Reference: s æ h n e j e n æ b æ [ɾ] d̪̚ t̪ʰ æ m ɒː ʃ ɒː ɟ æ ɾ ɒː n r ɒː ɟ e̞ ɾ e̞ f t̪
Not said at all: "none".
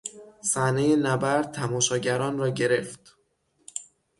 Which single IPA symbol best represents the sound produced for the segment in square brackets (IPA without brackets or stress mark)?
ɾ